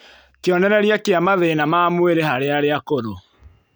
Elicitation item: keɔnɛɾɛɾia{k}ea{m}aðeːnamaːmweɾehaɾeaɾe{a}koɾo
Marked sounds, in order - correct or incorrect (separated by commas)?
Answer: correct, correct, correct